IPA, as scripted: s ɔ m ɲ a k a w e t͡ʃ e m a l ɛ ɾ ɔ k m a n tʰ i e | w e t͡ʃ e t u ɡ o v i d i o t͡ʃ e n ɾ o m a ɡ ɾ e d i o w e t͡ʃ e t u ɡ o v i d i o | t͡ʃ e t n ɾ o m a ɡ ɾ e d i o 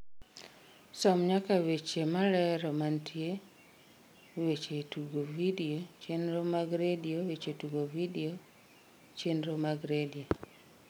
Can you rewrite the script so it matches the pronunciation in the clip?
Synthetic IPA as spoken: s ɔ m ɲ a k a w e t͡ʃ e m a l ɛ ɾ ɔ m a n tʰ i e | w e t͡ʃ e t u ɡ o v i d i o t͡ʃ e n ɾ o m a ɡ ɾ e d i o w e t͡ʃ e t u ɡ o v i d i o | t͡ʃ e n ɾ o m a ɡ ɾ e d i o

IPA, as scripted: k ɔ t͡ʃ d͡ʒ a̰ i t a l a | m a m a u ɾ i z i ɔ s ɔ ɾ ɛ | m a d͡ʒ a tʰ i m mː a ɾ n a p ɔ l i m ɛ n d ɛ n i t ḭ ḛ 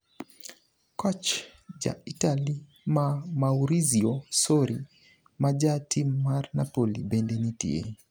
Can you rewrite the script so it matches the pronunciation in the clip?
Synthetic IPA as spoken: k ɔ t͡ʃ d͡ʒ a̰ i t a l i | m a m a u ɾ i z i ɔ s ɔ ɾ i | m a d͡ʒ a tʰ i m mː a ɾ n a p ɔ l i b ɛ n d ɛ n i t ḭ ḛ

